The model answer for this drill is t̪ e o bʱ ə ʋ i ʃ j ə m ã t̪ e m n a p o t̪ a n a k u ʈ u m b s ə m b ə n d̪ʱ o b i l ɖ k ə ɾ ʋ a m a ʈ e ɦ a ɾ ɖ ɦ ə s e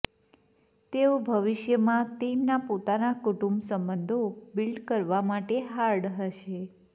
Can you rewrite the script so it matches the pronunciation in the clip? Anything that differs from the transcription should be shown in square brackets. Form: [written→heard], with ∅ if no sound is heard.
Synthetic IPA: t̪ e o bʱ ə ʋ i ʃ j ə m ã t̪ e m n a p o t̪ a n a k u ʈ u m b s ə m b ə n d̪ʱ o b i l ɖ k ə ɾ ʋ a m a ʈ e ɦ a ɾ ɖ ɦ ə [s→ʃ] e

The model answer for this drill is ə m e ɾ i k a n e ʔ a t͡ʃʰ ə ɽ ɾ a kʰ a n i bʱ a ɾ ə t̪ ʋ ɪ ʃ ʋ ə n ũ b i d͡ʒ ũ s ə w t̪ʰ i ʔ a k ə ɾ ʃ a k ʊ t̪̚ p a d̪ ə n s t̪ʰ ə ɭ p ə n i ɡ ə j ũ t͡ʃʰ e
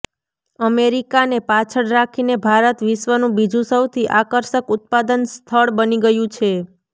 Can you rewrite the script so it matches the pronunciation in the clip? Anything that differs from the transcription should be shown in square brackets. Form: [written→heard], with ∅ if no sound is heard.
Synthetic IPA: ə m e ɾ i k a n e [ʔ→p] a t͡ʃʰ ə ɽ ɾ a kʰ [a→i] n [i→e] bʱ a ɾ ə t̪ ʋ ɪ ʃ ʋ ə n ũ b i d͡ʒ ũ s ə w t̪ʰ i ʔ a k ə ɾ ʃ [a→ə] k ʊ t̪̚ p a d̪ ə n s t̪ʰ ə ɭ [p→b] ə n i ɡ ə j ũ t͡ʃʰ e

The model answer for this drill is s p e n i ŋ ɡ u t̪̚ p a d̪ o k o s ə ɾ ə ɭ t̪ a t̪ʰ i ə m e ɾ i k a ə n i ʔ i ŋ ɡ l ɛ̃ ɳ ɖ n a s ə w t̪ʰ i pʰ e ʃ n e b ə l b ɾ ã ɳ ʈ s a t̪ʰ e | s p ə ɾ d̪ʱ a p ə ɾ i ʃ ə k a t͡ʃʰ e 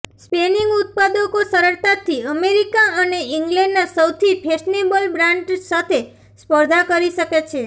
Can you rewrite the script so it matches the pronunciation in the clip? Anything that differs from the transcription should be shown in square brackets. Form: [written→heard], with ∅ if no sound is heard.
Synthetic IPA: s p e n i ŋ ɡ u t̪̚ p a d̪ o k o s ə ɾ ə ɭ t̪ a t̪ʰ i ə m e ɾ i k a ə n [i→e] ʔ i ŋ ɡ l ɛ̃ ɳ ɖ n a s ə w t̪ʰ i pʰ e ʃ n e b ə l b ɾ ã ɳ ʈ s a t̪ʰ e | s p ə ɾ d̪ʱ a [p→k] ə ɾ i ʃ ə k [a→e] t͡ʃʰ e

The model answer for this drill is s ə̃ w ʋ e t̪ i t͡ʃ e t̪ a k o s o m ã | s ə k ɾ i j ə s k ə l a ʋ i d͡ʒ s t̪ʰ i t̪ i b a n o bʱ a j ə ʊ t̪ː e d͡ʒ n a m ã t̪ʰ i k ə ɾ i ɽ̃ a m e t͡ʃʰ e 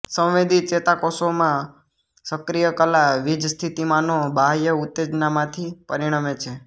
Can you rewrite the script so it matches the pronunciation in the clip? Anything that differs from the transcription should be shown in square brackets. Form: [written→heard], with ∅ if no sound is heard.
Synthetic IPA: s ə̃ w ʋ e [t̪→d̪] i t͡ʃ e t̪ a k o s o m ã | s ə k ɾ i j ə [s→∅] k ə l a ʋ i d͡ʒ s t̪ʰ i t̪ i [b→m] a n o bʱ a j ə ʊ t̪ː e d͡ʒ n a m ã t̪ʰ i [k→p] ə ɾ i ɽ̃ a m e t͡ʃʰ e

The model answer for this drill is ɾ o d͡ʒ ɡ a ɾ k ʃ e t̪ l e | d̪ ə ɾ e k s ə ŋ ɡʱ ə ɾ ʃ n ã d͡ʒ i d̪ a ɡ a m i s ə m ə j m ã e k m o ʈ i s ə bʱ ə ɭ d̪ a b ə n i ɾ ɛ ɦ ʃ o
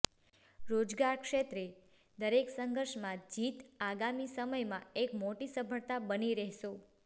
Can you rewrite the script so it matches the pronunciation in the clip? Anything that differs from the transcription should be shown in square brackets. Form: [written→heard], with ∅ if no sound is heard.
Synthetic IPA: ɾ o d͡ʒ ɡ a ɾ k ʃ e t̪ [l→ɾ] e | d̪ ə ɾ e k s ə ŋ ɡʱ ə ɾ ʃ [n→m] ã d͡ʒ i [d̪→t̪] a ɡ a m i s ə m ə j m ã e k m o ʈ i s ə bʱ ə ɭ [d̪→t̪] a b ə n i ɾ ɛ ɦ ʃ o

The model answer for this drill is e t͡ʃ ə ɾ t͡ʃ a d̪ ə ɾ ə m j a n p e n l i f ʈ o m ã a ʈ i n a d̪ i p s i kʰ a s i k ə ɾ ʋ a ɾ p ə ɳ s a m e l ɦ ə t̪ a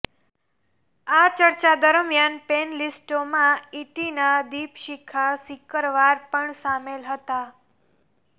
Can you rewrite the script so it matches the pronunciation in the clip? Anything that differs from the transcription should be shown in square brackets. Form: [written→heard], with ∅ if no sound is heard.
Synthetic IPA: [e→a] t͡ʃ ə ɾ t͡ʃ a d̪ ə ɾ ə m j a n p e n l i [f→s] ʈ o m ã [a→i] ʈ i n a d̪ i p [s→ʃ] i kʰ a s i k ə ɾ ʋ a ɾ p ə ɳ s a m e l ɦ ə t̪ a

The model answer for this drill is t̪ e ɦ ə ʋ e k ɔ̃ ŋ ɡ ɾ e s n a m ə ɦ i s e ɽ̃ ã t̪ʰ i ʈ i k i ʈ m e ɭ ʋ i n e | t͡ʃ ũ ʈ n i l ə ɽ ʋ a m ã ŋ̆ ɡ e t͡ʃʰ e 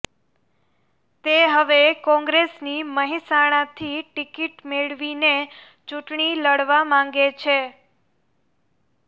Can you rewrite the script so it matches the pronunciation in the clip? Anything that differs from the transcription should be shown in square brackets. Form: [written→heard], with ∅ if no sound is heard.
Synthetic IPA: t̪ e ɦ ə ʋ e k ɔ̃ ŋ ɡ ɾ e s n [a→i] m ə ɦ i s [e→a] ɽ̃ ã t̪ʰ i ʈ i k i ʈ m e ɭ ʋ i n e | t͡ʃ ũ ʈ [n→ɳ] i l ə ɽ ʋ a m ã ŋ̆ ɡ e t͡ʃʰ e

